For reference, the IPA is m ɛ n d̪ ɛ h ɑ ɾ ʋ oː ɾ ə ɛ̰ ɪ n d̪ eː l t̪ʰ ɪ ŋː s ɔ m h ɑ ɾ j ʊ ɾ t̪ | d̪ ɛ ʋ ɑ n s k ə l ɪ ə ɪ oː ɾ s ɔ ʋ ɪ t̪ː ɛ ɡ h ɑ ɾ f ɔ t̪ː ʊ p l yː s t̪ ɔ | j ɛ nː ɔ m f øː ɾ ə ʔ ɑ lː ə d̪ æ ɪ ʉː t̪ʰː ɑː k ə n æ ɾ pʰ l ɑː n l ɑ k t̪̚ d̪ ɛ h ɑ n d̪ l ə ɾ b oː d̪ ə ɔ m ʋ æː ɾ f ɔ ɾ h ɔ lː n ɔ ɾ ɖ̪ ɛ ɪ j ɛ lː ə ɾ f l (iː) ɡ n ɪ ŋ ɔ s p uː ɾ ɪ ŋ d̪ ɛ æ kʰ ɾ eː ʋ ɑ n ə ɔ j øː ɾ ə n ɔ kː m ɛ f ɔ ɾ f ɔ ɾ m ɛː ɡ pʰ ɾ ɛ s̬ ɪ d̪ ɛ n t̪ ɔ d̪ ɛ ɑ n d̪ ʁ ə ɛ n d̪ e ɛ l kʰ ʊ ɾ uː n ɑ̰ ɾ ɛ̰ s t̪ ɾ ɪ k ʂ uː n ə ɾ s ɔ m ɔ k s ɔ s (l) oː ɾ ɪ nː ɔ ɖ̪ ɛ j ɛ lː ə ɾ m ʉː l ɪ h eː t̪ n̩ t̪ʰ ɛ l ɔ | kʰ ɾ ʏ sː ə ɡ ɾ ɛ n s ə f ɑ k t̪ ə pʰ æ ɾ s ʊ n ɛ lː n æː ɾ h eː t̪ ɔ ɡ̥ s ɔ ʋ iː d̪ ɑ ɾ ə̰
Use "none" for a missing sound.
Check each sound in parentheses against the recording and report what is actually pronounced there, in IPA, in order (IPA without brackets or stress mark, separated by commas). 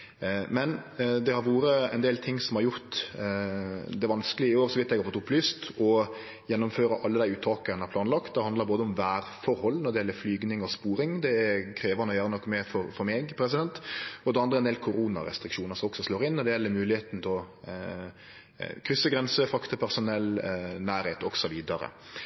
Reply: yː, l